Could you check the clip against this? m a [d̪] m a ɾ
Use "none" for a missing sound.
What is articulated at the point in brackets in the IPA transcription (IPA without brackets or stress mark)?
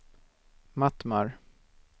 t̪